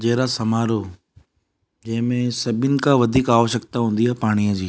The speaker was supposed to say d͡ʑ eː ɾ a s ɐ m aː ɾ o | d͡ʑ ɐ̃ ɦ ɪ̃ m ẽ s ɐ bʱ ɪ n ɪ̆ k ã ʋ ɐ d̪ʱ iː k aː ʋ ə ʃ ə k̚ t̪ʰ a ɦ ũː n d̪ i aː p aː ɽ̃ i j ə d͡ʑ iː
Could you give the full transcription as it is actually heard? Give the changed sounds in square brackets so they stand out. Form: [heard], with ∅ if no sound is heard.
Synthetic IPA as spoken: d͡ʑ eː ɾ a s ɐ m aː ɾ o | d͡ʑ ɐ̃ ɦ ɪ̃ m ẽ s ɐ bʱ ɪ n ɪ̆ k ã ʋ ɐ d̪ʱ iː k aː ʋ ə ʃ ə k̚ [t̪] a ɦ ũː n d̪ i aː p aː ɽ̃ i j ə d͡ʑ iː